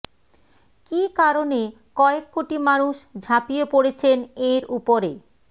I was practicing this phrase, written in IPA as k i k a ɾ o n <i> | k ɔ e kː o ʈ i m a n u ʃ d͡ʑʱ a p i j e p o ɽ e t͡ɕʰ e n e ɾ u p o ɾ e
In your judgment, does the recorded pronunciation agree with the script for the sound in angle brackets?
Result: no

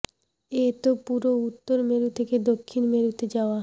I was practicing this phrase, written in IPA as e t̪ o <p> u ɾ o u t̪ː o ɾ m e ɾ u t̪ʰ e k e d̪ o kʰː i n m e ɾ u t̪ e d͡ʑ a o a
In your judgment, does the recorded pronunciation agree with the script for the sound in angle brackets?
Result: yes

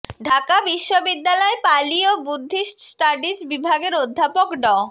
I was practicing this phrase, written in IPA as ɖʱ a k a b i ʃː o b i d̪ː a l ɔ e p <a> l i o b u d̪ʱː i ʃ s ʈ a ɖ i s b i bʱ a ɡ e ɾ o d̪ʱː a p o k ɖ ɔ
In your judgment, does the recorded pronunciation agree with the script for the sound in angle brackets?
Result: yes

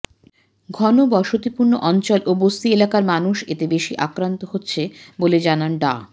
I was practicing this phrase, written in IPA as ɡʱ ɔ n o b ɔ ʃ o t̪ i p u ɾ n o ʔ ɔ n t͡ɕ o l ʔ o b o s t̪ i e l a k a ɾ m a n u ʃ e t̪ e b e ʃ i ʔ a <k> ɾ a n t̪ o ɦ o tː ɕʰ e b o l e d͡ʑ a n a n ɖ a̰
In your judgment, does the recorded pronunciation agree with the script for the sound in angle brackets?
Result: yes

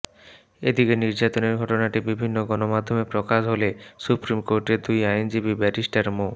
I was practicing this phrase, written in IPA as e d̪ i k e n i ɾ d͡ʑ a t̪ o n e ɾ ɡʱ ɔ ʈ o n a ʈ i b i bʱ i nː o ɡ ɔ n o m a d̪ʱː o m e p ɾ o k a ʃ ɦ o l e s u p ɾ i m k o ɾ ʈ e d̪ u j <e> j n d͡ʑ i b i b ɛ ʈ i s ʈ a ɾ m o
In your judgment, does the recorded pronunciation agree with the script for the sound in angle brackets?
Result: no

